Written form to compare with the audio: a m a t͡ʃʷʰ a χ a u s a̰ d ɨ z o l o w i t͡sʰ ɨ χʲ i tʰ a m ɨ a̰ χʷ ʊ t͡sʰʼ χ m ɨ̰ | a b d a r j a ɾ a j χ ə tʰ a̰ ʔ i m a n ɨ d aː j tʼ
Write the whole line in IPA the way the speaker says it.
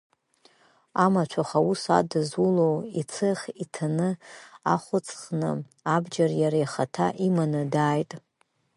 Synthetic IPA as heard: a m a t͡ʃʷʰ a χ a u s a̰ d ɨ z u l o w i t͡sʰ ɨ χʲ i tʰ a n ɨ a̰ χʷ ʊ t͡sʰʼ χ n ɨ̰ | a b d͡ʒ a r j a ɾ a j χ a tʰ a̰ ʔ i m a n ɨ d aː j tʼ